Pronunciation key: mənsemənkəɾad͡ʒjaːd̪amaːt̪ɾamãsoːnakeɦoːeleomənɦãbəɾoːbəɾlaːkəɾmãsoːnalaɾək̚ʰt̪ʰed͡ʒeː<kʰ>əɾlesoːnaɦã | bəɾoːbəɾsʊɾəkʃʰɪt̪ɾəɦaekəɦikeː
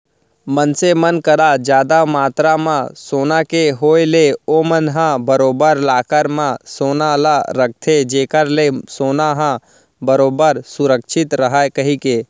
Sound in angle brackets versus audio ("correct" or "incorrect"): incorrect